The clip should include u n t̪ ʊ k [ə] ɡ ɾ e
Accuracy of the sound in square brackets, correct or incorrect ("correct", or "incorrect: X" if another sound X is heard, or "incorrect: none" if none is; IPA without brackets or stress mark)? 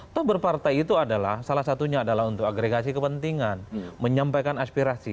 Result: incorrect: a